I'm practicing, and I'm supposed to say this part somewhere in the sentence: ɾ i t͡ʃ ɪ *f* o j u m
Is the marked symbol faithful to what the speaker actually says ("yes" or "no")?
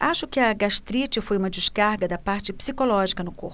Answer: yes